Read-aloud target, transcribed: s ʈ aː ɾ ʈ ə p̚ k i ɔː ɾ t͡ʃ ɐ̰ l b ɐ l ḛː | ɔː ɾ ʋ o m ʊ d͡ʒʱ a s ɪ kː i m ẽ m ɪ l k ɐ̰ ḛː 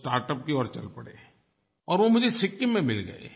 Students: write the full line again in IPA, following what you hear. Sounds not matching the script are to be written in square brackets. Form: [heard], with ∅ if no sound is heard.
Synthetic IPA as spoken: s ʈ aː ɾ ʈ ə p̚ k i ɔː ɾ t͡ʃ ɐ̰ l [p] ɐ [ɽ] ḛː | ɔː ɾ ʋ o m ʊ d͡ʒʱ [e] s ɪ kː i m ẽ m ɪ l [ɡ] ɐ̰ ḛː